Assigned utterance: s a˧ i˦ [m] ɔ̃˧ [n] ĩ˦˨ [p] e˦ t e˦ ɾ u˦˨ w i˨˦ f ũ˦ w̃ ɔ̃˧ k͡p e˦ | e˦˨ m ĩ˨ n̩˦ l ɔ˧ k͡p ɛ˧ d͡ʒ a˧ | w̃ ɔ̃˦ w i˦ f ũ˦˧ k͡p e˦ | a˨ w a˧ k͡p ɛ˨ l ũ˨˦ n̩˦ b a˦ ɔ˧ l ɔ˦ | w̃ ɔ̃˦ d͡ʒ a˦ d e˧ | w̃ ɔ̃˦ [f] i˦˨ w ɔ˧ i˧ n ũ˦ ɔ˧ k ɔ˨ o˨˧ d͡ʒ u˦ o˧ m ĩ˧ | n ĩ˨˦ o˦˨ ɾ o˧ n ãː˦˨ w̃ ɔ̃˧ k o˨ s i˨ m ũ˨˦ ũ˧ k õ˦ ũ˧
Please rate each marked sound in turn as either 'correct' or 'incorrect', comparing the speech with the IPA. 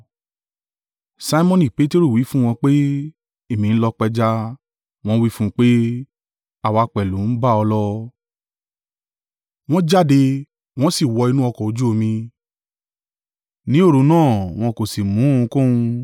correct, correct, correct, incorrect: s

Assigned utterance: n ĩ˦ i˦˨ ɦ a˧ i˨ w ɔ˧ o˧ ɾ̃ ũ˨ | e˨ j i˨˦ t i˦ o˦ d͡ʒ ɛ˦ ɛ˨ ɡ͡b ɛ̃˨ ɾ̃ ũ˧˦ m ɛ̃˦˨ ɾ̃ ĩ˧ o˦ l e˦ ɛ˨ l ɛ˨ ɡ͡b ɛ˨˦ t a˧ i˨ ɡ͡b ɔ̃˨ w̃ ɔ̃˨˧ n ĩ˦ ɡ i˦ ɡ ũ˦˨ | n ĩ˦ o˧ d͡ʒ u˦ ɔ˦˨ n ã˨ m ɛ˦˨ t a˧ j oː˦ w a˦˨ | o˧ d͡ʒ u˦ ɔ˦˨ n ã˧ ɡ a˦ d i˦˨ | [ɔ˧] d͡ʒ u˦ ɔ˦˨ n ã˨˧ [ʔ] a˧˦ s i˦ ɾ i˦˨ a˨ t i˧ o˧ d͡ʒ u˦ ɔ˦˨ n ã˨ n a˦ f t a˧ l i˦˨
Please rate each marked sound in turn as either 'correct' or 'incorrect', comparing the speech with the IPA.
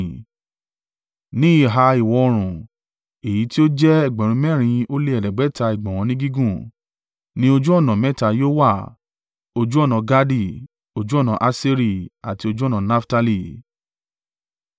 incorrect: o˧, correct

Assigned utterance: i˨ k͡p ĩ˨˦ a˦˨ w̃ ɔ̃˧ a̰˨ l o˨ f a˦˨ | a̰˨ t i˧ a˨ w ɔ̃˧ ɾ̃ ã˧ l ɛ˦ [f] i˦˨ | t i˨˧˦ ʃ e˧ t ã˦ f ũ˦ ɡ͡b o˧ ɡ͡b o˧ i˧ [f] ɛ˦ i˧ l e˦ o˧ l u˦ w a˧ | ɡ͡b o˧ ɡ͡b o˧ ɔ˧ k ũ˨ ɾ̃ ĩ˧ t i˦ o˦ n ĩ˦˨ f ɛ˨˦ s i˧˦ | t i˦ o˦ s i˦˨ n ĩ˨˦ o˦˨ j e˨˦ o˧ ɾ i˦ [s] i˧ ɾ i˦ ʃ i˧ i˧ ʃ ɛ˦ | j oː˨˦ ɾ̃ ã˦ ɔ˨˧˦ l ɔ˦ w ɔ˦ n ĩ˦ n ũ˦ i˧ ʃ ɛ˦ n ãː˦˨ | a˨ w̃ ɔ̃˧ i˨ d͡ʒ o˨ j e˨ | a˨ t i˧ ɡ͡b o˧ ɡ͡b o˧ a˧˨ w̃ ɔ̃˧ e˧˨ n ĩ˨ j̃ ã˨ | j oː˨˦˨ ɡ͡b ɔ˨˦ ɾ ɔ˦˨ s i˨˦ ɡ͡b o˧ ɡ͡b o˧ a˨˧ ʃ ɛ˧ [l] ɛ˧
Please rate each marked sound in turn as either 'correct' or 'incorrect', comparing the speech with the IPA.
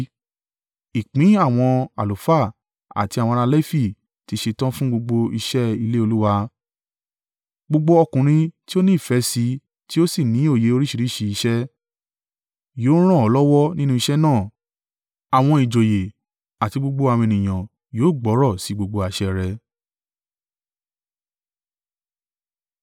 correct, incorrect: ʃ, incorrect: ʃ, incorrect: ɾ

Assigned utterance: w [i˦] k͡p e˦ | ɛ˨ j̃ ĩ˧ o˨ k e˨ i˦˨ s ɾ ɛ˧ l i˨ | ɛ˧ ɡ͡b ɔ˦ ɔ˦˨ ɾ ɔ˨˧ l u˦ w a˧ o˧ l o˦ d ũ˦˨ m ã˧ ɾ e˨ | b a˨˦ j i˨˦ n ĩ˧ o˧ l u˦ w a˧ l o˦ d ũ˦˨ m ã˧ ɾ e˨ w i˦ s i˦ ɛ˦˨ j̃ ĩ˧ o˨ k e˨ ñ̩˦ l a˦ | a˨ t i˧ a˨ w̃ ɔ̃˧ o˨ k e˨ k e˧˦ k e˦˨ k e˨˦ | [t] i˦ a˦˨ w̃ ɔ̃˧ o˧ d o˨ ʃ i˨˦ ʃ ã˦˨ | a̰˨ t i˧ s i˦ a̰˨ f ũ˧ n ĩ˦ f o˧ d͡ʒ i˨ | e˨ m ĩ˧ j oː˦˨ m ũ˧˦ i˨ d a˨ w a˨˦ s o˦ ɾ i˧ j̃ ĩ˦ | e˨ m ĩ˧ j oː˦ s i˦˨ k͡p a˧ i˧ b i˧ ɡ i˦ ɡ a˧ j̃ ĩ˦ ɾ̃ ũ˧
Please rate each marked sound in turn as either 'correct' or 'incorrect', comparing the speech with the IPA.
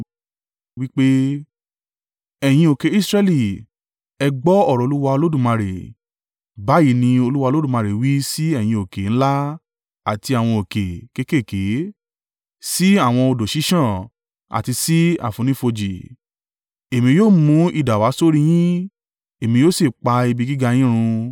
correct, incorrect: s

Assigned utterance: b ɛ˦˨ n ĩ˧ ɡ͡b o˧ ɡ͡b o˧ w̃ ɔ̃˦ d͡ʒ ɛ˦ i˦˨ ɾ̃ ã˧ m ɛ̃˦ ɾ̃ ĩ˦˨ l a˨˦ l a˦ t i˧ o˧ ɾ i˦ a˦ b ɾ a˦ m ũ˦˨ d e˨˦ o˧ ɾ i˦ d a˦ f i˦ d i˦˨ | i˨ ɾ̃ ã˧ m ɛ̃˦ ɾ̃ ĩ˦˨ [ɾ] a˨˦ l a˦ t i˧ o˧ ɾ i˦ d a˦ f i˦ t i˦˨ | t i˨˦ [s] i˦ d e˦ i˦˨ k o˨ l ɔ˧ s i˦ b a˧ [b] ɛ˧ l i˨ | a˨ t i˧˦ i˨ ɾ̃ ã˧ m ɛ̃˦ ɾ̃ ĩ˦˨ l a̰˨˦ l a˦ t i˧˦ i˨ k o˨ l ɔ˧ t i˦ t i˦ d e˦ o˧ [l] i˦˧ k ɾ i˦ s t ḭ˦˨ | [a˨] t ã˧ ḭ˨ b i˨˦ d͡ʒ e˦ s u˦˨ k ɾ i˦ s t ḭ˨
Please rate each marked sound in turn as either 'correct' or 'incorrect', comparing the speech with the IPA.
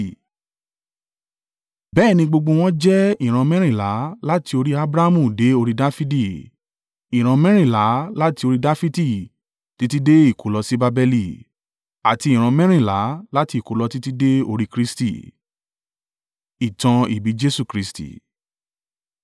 incorrect: l, incorrect: t, correct, incorrect: ɾ, incorrect: i˨

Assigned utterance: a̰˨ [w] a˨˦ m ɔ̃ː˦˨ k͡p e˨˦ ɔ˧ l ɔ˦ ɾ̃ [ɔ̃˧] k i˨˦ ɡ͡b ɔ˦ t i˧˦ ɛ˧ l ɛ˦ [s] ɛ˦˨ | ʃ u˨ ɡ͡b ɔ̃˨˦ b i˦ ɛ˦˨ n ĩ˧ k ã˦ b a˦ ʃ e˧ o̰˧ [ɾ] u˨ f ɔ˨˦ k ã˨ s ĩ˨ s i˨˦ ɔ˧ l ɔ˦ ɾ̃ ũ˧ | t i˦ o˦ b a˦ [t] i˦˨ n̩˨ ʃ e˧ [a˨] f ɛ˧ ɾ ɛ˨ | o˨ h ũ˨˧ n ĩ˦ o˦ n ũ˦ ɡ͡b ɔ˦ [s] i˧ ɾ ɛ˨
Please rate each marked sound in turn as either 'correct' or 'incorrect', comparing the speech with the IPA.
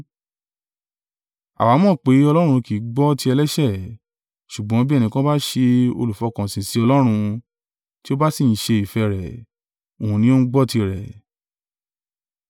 correct, incorrect: ũ˧, incorrect: ʃ, incorrect: l, incorrect: s, incorrect: i˨, incorrect: t

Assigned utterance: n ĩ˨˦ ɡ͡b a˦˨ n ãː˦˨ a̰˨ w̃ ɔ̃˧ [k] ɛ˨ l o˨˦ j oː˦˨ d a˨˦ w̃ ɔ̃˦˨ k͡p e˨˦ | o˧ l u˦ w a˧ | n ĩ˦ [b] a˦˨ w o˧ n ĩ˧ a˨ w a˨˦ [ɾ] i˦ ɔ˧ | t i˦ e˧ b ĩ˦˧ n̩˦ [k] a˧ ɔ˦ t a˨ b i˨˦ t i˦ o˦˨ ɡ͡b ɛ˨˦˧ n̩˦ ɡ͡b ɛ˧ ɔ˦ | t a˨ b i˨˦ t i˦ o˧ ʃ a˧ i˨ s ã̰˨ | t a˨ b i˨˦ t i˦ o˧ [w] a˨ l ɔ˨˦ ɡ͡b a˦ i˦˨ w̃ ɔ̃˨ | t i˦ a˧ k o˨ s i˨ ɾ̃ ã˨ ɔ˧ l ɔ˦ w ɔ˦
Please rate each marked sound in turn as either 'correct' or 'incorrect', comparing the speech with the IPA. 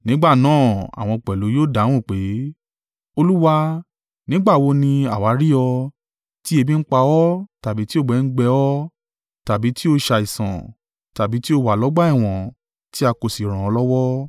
incorrect: k͡p, incorrect: ɡ͡b, correct, incorrect: k͡p, correct

